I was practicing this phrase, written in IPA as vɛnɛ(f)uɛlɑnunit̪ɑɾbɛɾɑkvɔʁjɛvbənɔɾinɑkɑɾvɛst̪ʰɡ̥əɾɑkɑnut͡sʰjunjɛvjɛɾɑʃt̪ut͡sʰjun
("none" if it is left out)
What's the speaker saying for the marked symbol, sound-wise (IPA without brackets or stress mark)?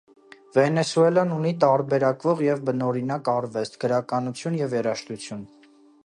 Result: s